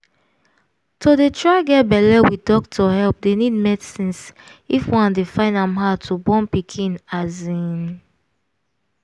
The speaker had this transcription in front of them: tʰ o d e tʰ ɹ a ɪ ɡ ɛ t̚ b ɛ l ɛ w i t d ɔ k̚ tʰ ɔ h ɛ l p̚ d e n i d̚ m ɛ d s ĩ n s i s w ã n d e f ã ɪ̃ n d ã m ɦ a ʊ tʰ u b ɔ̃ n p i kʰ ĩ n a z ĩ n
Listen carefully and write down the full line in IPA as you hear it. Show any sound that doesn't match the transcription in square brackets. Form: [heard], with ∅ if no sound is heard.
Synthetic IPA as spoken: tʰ o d e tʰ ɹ a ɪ ɡ ɛ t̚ b ɛ l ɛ w i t d ɔ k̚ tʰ ɔ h ɛ l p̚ d e n i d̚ m ɛ d s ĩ n s i [f] w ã n d e f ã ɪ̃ n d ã m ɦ a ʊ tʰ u b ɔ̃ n p i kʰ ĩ n a z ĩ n